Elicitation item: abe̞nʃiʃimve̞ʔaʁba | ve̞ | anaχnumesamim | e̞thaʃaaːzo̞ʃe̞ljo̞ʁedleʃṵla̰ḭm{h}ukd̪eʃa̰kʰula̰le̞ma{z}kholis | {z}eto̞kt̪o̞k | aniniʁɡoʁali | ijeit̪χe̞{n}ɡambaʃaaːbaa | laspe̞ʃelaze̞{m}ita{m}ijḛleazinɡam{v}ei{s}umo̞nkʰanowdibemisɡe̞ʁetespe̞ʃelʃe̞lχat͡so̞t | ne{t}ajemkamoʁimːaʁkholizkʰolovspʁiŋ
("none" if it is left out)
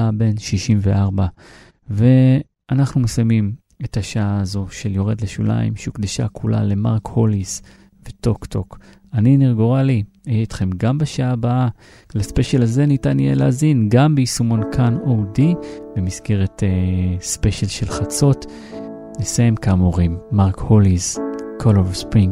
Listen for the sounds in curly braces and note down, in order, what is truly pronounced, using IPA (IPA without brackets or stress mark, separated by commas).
ʃ, ʁ, v, m, n, n, b, s, s